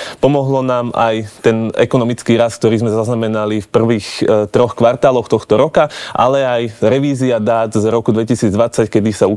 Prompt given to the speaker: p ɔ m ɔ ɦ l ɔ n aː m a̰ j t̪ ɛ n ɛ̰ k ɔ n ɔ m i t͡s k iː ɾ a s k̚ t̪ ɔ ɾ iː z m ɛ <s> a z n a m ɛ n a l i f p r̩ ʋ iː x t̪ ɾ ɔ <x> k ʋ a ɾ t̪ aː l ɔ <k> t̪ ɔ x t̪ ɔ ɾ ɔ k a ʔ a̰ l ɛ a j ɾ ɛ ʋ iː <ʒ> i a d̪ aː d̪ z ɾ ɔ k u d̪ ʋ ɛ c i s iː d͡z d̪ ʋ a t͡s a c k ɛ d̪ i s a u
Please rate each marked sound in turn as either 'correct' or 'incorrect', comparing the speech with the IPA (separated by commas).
incorrect, correct, incorrect, incorrect